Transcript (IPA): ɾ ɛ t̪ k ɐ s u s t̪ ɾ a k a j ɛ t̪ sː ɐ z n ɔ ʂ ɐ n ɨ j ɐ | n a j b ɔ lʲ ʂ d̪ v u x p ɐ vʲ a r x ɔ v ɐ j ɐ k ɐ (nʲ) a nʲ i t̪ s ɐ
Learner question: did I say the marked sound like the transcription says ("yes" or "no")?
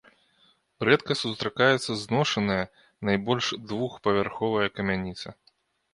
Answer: no